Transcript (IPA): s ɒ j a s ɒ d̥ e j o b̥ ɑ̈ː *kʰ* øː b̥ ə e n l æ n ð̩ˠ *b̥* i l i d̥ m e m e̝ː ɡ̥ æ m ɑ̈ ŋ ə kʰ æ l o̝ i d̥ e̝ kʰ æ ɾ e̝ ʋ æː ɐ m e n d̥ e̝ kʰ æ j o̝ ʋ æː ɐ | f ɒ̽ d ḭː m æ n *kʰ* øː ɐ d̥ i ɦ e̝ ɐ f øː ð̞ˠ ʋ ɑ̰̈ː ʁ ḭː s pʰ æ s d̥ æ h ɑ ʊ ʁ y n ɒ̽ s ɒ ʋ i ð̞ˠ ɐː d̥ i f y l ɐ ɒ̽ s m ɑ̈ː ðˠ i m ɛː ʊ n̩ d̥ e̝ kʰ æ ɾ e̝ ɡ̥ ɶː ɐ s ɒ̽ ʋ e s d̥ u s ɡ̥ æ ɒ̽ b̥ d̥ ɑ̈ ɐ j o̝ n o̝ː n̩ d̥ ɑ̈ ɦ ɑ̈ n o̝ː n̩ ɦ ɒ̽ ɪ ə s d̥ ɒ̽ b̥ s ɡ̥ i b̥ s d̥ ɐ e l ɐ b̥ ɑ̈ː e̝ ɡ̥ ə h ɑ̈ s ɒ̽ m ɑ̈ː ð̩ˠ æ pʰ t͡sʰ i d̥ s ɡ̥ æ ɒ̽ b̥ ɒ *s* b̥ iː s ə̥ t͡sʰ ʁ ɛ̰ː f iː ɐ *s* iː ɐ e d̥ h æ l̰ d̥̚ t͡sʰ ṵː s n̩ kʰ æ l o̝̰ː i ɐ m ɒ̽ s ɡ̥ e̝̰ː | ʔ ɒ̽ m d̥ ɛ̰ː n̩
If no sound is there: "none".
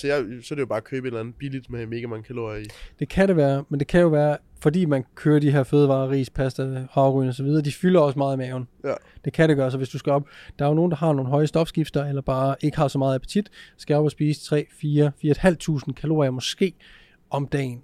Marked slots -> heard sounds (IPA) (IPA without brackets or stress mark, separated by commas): kʰ, b̥, kʰ, s, f